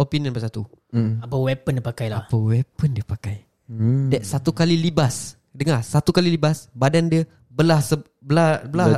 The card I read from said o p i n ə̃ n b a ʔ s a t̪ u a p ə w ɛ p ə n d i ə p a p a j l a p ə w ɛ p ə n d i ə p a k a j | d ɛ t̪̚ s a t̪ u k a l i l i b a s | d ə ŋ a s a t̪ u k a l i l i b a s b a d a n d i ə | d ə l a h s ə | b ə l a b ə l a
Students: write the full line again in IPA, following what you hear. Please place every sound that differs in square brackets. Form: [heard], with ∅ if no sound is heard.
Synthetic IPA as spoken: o p i n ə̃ n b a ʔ s a t̪ u a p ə w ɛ p ə n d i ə p a [k] a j l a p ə w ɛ p ə n d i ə p a k a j | d ɛ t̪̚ s a t̪ u k a l i l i b a s | d ə ŋ a s a t̪ u k a l i l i b a s b a d a n d i ə | [b] ə l a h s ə | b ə l a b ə l a